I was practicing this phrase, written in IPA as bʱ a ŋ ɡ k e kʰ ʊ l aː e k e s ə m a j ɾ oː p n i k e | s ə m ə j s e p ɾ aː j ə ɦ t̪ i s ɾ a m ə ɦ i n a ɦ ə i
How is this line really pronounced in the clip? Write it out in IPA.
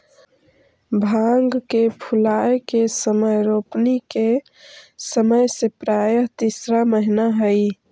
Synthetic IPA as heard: bʱ a ŋ ɡ k e pʰ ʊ l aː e k e s ə m ə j ɾ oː p n i k e | s ə m ə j s e p ɾ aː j ə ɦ t̪ i s ɾ a m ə ɦ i n a ɦ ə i